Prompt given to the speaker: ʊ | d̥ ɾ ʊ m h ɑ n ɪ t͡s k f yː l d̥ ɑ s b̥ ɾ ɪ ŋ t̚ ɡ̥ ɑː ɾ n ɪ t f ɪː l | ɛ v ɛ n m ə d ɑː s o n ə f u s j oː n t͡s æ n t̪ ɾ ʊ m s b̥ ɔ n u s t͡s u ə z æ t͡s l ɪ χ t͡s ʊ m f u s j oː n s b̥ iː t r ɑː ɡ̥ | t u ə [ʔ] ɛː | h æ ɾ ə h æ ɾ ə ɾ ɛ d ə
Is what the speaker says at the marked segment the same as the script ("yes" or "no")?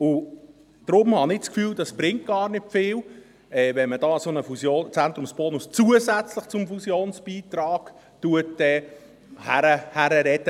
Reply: no